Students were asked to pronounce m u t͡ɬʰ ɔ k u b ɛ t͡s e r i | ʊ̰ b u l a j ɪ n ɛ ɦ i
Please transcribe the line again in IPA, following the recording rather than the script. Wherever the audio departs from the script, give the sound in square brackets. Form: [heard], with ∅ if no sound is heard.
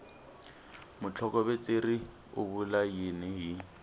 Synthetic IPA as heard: m [ʊ] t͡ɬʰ ɔ k [ɔ] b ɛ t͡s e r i | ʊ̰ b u l a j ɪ n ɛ ɦ i